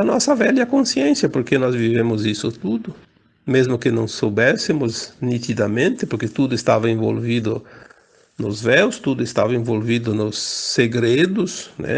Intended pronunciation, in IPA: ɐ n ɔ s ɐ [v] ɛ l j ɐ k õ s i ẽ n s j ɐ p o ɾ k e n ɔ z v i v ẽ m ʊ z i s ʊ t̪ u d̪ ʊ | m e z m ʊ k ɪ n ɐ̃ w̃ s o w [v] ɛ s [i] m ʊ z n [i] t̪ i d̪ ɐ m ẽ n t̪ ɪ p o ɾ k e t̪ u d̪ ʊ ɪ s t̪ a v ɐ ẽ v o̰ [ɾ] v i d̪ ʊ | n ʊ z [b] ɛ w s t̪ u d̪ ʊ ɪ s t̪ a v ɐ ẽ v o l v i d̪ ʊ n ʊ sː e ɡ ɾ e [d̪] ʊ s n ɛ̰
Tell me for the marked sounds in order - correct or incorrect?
correct, incorrect, incorrect, correct, incorrect, incorrect, correct

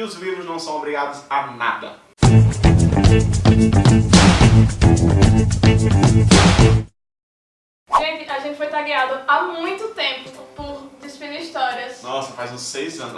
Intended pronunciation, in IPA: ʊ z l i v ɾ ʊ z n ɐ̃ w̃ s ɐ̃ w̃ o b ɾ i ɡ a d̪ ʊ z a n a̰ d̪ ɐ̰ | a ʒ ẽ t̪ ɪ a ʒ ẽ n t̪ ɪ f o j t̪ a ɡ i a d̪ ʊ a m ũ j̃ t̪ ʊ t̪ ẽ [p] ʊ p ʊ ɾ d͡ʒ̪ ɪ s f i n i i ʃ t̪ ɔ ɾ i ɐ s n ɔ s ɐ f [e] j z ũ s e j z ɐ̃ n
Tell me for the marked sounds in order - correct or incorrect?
correct, incorrect

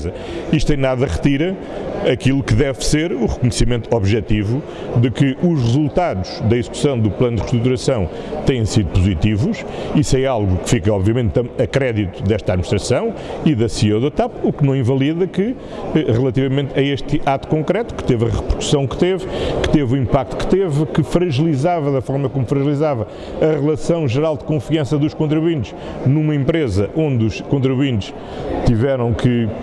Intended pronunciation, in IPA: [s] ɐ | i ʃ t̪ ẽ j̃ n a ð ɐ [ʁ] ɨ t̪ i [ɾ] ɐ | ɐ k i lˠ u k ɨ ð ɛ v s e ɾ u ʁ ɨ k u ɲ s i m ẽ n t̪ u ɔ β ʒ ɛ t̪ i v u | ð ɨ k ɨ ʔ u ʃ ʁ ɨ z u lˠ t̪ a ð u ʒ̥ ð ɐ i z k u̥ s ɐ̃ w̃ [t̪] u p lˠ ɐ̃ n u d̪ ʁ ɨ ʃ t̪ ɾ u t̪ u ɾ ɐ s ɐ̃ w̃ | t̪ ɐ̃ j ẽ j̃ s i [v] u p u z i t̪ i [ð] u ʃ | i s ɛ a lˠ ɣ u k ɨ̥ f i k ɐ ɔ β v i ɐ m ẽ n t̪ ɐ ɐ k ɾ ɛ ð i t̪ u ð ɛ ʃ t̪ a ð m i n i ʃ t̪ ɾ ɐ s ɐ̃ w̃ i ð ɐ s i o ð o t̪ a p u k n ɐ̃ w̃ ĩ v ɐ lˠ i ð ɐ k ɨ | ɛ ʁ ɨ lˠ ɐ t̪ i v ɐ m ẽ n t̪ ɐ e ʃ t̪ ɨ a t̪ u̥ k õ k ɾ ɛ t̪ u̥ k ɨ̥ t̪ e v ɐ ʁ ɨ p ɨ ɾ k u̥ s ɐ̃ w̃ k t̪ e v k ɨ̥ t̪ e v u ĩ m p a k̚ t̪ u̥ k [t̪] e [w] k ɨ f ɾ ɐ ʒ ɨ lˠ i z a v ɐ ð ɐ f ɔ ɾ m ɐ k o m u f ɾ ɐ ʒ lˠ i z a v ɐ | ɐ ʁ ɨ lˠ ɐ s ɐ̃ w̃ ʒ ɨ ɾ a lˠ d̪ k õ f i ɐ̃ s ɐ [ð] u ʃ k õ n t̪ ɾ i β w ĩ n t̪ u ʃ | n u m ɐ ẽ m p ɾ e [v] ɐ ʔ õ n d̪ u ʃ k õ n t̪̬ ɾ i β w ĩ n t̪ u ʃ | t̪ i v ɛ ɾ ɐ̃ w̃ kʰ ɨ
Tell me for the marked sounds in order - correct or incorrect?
incorrect, correct, correct, incorrect, incorrect, incorrect, correct, incorrect, correct, incorrect

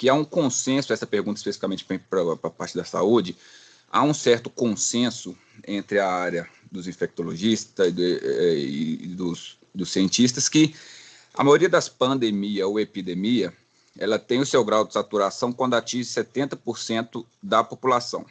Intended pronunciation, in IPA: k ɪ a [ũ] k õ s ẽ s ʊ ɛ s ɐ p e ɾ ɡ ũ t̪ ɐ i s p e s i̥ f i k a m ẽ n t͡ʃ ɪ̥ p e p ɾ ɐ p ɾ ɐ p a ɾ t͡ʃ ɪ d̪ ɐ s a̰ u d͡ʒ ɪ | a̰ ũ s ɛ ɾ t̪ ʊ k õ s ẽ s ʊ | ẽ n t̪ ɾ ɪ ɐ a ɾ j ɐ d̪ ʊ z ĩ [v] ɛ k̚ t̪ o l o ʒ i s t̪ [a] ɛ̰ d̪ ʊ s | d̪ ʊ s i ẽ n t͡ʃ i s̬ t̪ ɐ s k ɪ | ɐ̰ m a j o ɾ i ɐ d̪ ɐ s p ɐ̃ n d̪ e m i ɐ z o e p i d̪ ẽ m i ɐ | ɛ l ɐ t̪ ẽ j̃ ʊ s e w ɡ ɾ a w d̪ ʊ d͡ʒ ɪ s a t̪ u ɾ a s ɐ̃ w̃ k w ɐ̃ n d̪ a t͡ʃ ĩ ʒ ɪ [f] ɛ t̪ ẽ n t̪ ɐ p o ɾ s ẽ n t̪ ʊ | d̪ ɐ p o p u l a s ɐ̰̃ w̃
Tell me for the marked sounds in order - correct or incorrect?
correct, incorrect, incorrect, incorrect

